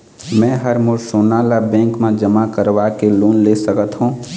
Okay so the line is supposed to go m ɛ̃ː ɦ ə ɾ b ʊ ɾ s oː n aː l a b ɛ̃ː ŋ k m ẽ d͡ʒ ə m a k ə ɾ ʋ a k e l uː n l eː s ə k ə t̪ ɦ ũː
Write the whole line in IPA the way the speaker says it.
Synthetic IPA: m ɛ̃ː ɦ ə ɾ m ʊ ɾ s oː n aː l a b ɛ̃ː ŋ k m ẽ d͡ʒ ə m a k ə ɾ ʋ a k e l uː n l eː s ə k ə t̪ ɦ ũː